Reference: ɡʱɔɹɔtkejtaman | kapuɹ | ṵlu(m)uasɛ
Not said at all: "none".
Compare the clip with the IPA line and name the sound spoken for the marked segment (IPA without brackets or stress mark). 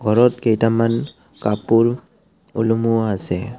m